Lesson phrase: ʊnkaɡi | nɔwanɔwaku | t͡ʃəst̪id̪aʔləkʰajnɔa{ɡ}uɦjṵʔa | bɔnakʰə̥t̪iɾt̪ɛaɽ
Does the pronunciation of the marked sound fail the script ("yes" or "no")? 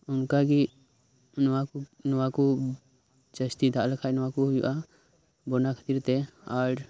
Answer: yes